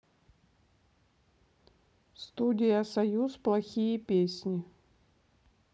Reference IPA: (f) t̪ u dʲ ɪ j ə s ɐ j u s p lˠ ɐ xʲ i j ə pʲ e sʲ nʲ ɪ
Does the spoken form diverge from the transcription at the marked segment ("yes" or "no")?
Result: yes